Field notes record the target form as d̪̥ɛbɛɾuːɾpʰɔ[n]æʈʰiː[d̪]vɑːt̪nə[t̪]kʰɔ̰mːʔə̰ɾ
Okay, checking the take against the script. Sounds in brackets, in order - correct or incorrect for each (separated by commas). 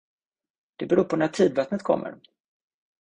correct, correct, correct